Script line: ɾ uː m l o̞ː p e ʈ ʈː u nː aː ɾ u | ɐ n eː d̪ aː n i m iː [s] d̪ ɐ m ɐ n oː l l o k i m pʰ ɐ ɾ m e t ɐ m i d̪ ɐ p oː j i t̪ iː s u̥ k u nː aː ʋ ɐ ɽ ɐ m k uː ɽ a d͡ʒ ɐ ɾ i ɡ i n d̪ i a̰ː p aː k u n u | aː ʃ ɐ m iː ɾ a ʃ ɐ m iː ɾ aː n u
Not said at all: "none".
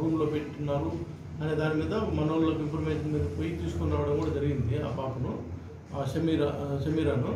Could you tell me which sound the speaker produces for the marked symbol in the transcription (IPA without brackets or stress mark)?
none